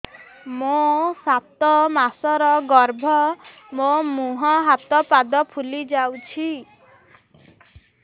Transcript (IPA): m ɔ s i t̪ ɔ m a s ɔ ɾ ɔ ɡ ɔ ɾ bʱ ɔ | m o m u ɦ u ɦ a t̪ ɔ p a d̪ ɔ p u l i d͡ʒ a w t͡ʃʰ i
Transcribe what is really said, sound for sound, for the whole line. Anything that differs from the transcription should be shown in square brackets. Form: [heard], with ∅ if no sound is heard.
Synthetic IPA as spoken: m [o] s [a] t̪ ɔ m a s ɔ ɾ ɔ ɡ ɔ ɾ bʱ ɔ | m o m u ɦ [ɔ] ɦ a t̪ ɔ p a d̪ ɔ [pʰ] u l i d͡ʒ a w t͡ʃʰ i